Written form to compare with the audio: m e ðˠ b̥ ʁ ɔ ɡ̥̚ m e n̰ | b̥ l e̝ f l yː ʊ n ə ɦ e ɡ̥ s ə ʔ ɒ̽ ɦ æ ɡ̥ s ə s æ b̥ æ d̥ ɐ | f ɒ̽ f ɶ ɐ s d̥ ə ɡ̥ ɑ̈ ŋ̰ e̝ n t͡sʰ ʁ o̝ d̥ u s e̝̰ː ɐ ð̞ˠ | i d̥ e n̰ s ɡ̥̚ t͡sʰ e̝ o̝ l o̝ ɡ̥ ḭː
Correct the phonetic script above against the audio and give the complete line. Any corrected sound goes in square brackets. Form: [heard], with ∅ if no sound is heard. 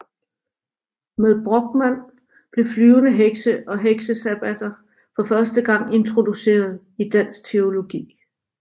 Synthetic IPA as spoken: m e ðˠ b̥ ʁ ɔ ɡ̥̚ m [æ] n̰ | b̥ l e̝ f l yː ʊ n ə ɦ e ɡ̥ s ə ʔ ɒ̽ ɦ [e] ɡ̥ s ə s æ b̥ æ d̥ ɐ | f ɒ̽ f ɶ ɐ s d̥ ə ɡ̥ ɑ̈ ŋ̰ e̝ n t͡sʰ ʁ o̝ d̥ u s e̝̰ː ɐ ð̞ˠ | i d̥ [æ] n̰ s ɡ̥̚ t͡sʰ e̝ o̝ l o̝ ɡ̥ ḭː